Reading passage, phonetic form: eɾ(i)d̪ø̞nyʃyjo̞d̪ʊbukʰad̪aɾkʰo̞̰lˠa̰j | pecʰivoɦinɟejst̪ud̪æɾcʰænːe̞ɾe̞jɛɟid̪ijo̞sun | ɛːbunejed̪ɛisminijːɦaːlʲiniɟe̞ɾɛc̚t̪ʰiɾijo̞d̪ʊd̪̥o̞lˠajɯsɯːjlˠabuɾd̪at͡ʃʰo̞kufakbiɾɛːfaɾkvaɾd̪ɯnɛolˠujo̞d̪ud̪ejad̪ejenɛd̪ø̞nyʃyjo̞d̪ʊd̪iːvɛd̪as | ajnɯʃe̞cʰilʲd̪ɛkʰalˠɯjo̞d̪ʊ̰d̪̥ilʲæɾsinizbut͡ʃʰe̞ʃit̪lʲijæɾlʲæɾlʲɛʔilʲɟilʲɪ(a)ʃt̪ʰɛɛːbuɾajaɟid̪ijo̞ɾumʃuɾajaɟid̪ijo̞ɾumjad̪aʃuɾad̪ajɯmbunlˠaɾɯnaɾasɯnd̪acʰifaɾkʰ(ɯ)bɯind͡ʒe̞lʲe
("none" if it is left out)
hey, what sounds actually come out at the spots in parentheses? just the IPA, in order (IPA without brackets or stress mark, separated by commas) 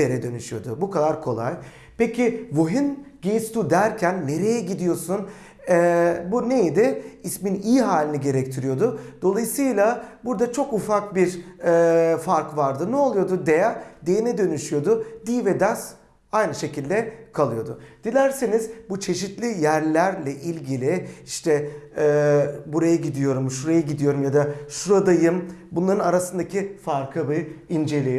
ɛ, i, ɯ